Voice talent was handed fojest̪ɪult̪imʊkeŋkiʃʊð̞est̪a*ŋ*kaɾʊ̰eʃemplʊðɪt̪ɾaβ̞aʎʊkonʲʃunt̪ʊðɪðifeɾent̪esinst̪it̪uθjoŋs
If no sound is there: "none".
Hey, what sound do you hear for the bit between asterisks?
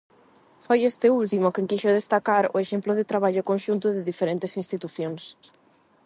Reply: none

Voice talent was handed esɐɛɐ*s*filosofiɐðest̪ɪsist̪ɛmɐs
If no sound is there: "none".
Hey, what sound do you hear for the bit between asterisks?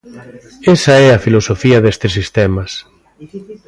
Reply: none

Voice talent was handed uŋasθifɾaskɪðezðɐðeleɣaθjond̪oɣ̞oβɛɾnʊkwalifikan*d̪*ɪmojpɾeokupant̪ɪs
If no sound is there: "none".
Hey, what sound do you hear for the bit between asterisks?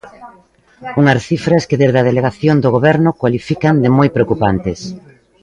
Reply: d̪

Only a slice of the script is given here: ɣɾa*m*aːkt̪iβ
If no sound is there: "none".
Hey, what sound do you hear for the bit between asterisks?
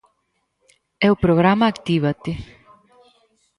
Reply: m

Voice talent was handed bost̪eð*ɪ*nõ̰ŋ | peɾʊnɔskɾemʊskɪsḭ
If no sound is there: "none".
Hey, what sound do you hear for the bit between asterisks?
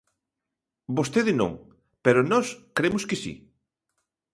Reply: ɪ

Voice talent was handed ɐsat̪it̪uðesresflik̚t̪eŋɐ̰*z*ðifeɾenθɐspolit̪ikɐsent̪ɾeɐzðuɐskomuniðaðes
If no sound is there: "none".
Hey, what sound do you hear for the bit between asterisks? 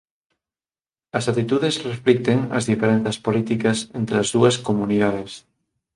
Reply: z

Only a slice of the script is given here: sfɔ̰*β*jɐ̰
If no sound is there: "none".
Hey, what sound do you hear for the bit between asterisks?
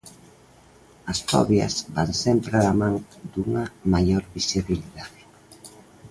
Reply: β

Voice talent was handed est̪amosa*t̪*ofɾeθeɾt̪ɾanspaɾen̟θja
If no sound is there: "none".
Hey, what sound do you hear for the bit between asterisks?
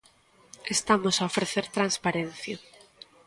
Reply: none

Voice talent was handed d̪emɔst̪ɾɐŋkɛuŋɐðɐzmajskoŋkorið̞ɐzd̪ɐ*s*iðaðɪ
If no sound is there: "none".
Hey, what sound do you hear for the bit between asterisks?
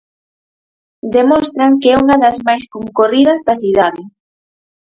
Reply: θ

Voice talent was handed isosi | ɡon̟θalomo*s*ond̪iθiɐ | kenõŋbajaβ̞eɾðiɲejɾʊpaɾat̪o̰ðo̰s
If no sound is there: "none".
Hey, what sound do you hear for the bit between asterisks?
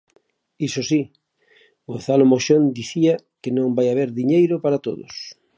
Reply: ʃ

